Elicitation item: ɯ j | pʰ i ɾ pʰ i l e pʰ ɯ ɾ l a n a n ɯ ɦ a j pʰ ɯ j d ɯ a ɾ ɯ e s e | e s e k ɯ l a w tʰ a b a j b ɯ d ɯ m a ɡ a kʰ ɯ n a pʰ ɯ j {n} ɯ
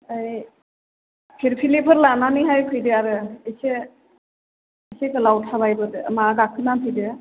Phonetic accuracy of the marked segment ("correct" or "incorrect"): incorrect